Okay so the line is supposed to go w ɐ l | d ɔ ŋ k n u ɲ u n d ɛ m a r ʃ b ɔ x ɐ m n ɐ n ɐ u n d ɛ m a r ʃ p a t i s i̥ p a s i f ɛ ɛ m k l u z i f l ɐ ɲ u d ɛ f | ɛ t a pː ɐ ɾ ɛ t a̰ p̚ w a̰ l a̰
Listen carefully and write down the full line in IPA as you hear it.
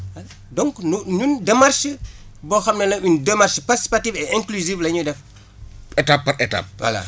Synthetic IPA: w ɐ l | d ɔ ŋ k n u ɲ u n d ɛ m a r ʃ b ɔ x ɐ m n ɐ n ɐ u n d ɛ m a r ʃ p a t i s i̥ p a t i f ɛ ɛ ŋ k l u z i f l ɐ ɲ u d ɛ f | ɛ t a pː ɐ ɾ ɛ t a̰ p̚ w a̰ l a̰

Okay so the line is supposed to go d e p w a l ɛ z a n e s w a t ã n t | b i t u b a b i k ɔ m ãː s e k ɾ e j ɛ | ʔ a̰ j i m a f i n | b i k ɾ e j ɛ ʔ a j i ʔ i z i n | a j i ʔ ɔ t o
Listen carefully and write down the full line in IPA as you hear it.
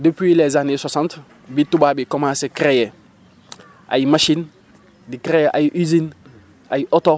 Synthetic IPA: d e p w i l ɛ z a n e s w a s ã n t | b i t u b a b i k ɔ m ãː s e k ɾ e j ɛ | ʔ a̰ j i m a ʃ i n | d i k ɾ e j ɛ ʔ a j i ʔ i z i n | a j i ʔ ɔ t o

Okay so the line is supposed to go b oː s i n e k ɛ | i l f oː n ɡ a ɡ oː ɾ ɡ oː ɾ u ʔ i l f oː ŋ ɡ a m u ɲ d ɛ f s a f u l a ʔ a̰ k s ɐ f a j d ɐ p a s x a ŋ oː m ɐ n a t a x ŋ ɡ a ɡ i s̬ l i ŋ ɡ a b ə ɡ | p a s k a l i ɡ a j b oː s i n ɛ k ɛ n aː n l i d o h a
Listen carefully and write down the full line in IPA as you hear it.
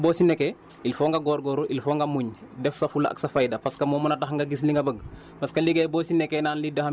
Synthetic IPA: b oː s i n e k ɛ | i l f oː ŋ ɡ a ɡ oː ɾ ɡ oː ɾ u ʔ i l f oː ŋ ɡ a m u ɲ d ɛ f s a f u l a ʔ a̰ k s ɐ f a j d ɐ p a s k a m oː m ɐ n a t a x ŋ ɡ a ɡ i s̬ l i ŋ ɡ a b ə ɡ | p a s k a l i ɡ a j b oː s i n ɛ k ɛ n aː n l i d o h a

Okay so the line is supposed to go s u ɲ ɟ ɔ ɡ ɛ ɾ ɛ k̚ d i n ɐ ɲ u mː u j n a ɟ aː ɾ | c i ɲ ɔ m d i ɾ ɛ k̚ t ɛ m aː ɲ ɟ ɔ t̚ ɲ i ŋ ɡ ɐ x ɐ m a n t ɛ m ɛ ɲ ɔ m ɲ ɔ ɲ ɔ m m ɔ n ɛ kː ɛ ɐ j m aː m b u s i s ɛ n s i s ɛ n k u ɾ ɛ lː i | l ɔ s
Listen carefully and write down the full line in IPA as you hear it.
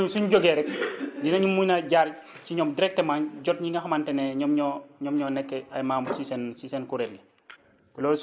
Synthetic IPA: s u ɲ ɟ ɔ ɡ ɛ ɾ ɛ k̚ d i n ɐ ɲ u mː u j n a ɟ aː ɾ | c i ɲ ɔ m d i ɾ ɛ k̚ t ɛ m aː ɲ ɟ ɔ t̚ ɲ i ŋ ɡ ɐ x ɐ m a n t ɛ n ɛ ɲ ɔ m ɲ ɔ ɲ ɔ m ɲ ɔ n ɛ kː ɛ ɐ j m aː m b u s i s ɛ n s i s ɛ n k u ɾ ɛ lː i | l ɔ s

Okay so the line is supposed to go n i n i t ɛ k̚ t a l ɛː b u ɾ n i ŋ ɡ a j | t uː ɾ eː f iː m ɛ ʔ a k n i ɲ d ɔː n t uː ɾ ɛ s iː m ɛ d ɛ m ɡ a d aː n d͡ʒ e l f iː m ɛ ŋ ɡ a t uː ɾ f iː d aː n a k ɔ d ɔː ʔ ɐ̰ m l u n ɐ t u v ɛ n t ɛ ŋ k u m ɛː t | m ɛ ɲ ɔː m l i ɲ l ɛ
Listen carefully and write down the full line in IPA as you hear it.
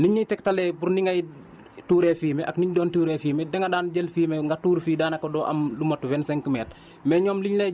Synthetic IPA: n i ɲ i t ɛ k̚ t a l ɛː b u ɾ n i ŋ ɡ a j | t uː ɾ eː f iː m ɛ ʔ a k n i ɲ d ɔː n t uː ɾ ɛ f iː m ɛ d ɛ ŋ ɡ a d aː n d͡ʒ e l f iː m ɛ ŋ ɡ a t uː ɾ f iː d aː n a k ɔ d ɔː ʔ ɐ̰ m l u m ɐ t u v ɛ n s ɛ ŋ k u m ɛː t | m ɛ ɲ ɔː m l i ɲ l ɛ

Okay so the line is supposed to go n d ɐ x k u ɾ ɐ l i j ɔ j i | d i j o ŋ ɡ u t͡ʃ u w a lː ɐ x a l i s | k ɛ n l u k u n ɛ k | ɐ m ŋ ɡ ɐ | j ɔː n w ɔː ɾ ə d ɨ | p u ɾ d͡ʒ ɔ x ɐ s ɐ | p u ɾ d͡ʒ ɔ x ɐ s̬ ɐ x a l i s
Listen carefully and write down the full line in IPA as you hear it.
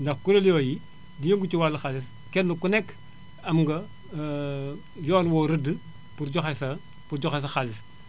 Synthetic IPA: n d ɐ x k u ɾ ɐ l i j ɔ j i | d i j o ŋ ɡ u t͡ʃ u w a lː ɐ x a l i s | k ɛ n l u k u n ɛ k | ɐ m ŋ ɡ ɐ | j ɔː n w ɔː ɾ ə d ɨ | p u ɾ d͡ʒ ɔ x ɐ s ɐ | p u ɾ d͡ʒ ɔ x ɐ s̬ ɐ x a l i s

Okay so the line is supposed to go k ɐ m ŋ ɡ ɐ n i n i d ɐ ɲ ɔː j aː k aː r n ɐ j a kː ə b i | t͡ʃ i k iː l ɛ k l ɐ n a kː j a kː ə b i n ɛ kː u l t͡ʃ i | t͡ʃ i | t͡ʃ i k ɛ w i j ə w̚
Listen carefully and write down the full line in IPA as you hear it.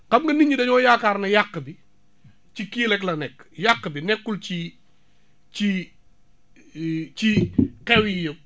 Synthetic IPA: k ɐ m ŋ ɡ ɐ n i ɲ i d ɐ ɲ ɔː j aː k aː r n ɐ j a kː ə b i | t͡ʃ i k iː l ɛ k l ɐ n ɛ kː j a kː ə b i n ɛ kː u l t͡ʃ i | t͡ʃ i | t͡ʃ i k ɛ w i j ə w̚

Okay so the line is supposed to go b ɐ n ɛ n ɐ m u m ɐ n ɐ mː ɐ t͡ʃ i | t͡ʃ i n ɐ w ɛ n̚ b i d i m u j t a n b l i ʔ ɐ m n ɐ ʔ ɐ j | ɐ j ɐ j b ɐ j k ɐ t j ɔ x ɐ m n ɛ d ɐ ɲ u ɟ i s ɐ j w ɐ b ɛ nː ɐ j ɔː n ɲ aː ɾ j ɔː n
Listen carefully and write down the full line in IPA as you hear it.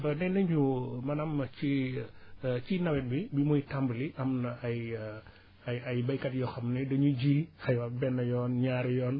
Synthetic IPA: b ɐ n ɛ n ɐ ɲ u m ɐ n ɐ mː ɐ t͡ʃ i | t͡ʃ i n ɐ w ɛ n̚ b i b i m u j t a m b l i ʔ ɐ m n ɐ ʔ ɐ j | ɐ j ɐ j b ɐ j k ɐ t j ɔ x ɐ m n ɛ d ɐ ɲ u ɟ i x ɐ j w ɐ b ɛ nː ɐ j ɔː n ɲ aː ɾ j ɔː n

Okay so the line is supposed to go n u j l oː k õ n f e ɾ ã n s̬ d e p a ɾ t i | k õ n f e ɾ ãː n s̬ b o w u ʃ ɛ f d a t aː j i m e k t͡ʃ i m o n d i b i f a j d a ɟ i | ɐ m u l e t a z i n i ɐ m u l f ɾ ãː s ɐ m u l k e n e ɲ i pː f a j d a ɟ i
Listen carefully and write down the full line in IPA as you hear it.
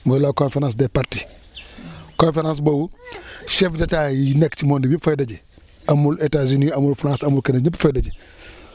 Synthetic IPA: m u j l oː k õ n f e ɾ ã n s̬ d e p a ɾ t i | k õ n f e ɾ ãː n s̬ b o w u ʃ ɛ f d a t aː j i n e k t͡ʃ i m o n d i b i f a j d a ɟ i | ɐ m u l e t a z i n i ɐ m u l f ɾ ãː s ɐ m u l k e n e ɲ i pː f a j d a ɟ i

